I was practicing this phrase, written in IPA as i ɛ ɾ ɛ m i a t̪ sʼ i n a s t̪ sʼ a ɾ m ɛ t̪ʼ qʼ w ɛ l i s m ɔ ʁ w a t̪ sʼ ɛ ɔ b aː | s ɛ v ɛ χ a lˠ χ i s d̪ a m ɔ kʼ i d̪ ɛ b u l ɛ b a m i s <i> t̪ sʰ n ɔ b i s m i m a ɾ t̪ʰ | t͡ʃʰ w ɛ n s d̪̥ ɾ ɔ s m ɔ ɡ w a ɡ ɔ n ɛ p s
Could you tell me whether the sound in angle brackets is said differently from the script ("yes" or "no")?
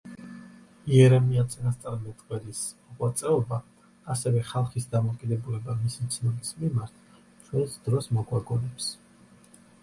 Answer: no